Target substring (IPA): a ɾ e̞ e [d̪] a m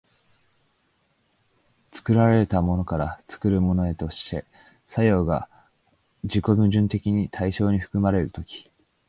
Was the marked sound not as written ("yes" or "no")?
yes